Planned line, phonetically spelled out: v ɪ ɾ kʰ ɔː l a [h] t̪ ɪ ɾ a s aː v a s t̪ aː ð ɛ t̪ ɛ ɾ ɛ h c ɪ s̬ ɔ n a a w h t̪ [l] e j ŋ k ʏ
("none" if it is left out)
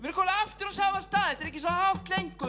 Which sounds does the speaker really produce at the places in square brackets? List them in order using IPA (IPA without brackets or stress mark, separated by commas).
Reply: f, l